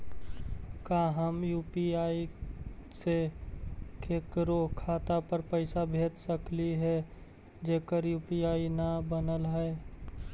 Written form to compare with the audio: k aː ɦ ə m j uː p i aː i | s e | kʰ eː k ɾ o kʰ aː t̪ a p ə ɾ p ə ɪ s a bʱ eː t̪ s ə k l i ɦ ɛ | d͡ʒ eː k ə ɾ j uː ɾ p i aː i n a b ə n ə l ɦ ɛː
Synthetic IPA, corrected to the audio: k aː ɦ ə m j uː p i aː i | s e | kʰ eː k ɾ o kʰ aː t̪ a p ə ɾ p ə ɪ s a bʱ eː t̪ s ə k l i ɦ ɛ | d͡ʒ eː k ə ɾ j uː p i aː i n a b ə n ə l ɦ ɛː